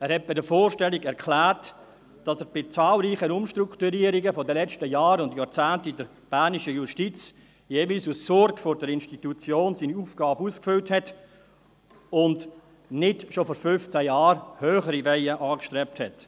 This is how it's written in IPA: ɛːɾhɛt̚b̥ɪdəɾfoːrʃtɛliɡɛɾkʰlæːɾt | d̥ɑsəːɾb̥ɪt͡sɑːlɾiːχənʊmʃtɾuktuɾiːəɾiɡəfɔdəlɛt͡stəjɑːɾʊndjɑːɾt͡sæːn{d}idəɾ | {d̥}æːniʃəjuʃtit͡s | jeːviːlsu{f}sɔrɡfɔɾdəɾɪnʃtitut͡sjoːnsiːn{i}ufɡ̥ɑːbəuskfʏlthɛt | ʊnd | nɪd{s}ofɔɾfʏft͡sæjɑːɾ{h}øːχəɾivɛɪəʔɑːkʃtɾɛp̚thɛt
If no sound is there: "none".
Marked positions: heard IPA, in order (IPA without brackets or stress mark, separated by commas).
t, b̥, s, i, ʃ, h